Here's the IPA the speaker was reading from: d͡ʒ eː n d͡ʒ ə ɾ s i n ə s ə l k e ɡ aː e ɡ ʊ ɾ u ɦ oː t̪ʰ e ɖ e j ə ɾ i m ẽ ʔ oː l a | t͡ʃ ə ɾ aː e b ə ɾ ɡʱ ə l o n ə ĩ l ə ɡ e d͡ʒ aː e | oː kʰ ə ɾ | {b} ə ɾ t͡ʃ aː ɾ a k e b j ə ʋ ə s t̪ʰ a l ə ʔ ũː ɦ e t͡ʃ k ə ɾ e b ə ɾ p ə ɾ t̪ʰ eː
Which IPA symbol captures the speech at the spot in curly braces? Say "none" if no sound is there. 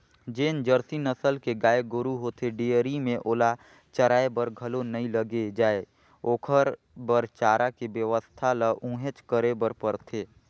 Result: b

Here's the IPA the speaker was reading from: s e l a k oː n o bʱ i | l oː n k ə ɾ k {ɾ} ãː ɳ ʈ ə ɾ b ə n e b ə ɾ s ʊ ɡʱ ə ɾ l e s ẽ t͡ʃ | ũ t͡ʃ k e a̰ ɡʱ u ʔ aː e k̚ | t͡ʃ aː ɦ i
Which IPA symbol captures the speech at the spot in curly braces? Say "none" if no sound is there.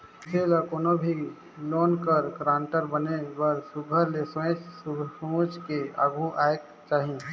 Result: ɾ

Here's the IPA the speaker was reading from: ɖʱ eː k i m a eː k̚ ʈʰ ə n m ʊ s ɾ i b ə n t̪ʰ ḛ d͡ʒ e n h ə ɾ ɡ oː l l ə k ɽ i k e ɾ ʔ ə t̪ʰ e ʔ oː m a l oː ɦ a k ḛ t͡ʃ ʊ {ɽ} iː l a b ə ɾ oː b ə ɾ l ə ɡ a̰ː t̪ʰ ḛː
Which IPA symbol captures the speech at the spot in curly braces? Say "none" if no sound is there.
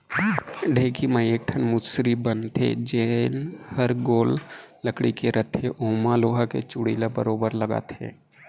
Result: ɽ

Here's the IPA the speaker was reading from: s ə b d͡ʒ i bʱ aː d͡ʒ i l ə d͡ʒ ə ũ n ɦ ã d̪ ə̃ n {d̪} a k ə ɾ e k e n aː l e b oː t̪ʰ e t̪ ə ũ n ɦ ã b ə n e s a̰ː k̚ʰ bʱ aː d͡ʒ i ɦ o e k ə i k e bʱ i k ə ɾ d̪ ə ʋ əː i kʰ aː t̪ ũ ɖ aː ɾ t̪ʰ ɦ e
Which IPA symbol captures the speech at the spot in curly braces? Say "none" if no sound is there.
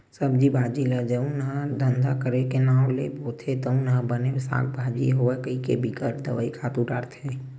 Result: d̪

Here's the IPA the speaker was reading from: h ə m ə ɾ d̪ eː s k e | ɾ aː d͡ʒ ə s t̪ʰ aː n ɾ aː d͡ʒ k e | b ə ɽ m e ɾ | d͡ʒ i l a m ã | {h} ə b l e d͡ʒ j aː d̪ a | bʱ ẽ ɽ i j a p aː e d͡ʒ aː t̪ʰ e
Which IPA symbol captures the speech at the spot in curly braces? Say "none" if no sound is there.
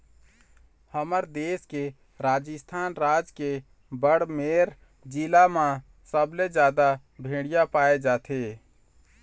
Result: s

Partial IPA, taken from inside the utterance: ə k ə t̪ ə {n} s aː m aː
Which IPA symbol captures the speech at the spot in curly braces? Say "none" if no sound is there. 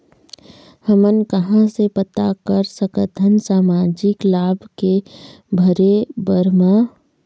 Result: n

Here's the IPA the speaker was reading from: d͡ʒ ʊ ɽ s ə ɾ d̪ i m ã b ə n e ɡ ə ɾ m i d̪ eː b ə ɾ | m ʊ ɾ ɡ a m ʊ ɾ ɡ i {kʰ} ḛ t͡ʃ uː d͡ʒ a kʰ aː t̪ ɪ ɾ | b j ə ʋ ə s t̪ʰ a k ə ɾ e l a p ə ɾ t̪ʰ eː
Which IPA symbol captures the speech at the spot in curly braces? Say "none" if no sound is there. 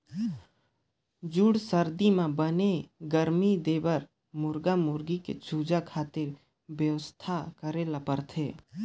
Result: k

